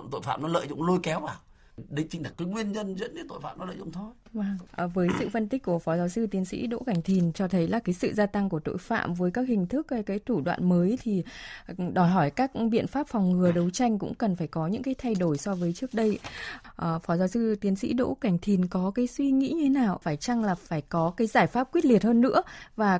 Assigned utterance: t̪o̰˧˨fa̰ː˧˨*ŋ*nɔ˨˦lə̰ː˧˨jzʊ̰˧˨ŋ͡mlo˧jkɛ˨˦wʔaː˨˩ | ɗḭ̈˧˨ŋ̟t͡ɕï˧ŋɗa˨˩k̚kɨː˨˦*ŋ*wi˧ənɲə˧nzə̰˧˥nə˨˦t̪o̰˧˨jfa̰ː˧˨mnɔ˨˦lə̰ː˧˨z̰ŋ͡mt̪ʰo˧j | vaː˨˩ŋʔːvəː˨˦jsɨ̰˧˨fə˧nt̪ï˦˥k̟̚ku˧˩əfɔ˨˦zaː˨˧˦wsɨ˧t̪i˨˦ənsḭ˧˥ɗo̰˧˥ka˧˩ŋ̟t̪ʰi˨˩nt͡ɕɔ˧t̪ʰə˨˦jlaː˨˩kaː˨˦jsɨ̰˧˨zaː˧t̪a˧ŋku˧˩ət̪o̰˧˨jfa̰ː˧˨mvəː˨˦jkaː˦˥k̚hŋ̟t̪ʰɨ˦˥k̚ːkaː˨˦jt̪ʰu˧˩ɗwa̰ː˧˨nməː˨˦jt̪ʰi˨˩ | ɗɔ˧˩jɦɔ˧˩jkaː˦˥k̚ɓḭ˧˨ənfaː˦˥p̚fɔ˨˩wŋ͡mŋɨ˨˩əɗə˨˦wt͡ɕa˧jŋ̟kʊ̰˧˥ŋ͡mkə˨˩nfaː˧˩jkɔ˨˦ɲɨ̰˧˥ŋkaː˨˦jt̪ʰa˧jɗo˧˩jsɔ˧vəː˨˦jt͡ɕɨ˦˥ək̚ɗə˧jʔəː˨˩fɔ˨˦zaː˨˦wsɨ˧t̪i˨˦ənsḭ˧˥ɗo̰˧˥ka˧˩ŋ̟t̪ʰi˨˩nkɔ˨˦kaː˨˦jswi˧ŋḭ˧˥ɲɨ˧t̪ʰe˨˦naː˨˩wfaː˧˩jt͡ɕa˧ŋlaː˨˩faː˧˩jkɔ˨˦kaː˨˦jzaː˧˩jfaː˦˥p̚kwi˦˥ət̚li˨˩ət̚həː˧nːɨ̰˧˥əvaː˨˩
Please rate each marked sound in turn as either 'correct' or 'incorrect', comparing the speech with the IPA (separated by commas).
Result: incorrect, correct